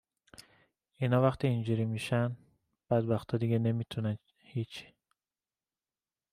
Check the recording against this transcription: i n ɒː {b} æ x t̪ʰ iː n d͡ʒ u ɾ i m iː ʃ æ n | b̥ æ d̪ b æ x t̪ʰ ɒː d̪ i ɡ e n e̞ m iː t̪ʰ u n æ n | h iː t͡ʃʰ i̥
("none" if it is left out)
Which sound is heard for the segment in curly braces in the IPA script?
v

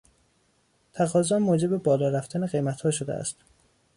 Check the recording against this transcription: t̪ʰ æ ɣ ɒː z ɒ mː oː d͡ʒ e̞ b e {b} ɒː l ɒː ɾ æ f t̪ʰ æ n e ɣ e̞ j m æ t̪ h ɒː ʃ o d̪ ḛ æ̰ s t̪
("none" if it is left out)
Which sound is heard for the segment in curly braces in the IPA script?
b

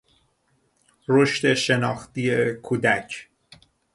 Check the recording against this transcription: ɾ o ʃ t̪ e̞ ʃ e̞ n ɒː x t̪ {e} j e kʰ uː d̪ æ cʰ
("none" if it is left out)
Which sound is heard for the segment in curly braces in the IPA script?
i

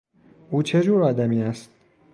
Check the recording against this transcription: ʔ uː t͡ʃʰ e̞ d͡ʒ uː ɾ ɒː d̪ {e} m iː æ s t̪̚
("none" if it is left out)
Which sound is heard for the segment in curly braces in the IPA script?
æ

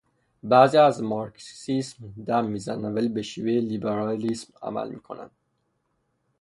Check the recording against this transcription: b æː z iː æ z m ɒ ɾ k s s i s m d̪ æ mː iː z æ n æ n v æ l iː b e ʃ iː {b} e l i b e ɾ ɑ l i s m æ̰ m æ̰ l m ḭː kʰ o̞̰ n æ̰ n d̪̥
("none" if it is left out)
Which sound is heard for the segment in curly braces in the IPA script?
v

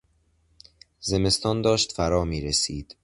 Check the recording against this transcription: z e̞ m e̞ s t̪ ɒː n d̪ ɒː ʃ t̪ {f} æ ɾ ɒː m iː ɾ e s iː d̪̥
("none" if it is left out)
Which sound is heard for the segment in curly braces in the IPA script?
f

